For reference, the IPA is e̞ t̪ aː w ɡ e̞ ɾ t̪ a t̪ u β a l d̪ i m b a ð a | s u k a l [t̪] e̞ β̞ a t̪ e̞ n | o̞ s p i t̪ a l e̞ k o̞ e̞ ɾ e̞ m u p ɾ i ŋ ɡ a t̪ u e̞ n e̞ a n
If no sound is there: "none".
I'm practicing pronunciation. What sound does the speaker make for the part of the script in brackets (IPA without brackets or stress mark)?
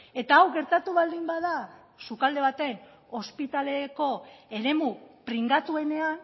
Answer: d̪